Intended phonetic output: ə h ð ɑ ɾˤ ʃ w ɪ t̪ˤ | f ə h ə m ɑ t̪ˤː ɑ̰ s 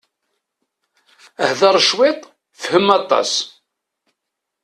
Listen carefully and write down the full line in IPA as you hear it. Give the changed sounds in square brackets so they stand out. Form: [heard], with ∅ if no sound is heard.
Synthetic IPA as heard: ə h ð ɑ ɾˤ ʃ w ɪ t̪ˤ | f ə h ə m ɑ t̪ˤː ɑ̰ s